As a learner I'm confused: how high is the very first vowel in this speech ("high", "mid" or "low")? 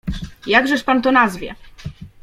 low